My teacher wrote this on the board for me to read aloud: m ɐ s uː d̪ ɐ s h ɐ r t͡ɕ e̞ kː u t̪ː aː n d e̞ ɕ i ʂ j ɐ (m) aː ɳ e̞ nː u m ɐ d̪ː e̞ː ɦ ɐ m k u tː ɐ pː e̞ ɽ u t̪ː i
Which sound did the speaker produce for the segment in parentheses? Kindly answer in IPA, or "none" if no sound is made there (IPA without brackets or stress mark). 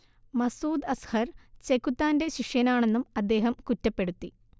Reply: n